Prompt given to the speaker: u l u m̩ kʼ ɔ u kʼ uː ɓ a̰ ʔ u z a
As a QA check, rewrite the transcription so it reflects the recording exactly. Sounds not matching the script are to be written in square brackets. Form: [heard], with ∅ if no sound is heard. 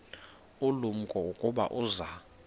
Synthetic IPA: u l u m̩ kʼ ɔ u kʼ [u] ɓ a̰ ʔ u z a

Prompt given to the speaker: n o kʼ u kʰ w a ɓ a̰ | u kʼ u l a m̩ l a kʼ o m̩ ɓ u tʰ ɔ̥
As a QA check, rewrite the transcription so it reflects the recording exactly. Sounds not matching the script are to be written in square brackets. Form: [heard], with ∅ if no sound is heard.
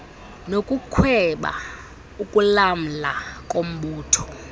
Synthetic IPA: n o kʼ u kʰ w [ɛ] ɓ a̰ | u kʼ u l a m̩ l a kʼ o m̩ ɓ [uː] tʰ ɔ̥

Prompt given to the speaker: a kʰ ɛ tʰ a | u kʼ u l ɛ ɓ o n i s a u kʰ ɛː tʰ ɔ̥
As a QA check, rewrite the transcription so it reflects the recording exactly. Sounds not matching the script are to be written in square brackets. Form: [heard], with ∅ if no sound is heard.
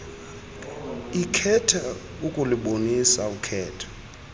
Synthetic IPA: [i] kʰ ɛ tʰ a | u kʼ u l [i] ɓ o n i s a u kʰ ɛː tʰ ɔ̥

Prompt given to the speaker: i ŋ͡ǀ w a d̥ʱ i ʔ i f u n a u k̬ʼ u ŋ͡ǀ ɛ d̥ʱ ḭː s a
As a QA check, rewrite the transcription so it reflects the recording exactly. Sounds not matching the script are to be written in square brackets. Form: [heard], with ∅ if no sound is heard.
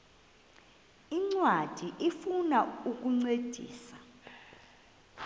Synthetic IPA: i ŋ͡ǀ w a d̥ʱ i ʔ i f u n a u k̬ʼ u ŋ͡ǀ [e] d̥ʱ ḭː s a

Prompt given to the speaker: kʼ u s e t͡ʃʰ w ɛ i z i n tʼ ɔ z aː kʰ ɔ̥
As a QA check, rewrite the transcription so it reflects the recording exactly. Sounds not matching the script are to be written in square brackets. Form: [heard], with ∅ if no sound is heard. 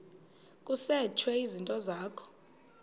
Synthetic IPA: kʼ u s [ɛ] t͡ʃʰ w ɛ i z i n tʼ ɔ z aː kʰ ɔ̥

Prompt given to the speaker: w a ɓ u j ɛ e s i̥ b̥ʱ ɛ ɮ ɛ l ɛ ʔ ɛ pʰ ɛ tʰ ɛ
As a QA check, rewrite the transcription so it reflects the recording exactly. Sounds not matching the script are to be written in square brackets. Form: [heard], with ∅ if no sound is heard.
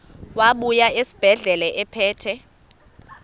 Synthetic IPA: w a ɓ u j [a] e s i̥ b̥ʱ ɛ ɮ ɛ l ɛ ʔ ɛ pʰ [ɛː] tʰ ɛ

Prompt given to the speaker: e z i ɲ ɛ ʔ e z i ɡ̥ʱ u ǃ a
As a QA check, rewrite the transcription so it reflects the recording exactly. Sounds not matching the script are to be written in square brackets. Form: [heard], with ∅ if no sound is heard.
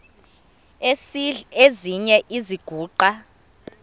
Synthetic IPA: e z i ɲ ɛ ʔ [i] z i ɡ̥ʱ [uː] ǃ a

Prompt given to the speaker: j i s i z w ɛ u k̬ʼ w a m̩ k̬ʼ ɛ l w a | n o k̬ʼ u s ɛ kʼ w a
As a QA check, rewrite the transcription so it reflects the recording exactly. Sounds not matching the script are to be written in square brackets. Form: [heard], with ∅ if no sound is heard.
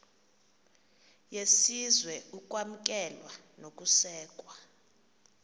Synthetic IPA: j [e] s i z w ɛ u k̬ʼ w a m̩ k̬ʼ ɛ l w a | n o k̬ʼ u s [ɛː] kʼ w a

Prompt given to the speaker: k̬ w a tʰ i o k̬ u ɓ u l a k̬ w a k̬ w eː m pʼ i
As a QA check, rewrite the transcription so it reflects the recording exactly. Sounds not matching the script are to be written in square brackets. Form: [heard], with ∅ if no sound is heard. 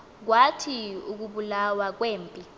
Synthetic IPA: k̬ w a tʰ i [u] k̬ u ɓ u l a [∅] w a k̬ w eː m pʼ i

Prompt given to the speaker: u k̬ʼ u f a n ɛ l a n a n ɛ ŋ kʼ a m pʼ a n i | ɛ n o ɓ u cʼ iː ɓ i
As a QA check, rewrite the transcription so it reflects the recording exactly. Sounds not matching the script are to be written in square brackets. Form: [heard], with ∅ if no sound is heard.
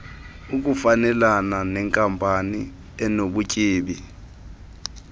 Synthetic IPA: u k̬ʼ u f a n ɛ l a n a n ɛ ŋ kʼ a m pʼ a n i | ɛ n o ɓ u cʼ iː ɓ i

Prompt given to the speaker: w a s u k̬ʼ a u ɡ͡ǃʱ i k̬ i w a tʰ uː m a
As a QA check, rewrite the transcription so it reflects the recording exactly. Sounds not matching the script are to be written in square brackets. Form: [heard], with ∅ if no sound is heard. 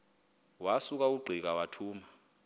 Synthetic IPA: w a s u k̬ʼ a u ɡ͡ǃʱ i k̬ [a] w a tʰ uː m a

